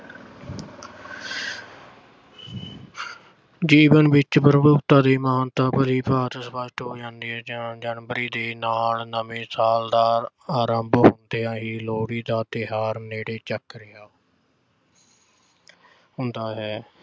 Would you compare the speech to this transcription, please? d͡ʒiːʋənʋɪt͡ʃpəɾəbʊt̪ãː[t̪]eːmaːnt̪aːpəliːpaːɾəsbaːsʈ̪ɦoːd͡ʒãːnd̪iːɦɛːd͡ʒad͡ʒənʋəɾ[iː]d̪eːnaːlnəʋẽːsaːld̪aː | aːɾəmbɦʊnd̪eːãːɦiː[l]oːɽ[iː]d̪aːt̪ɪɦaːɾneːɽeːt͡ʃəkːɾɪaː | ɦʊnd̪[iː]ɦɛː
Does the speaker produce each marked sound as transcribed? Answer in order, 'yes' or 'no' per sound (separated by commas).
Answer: no, yes, yes, yes, no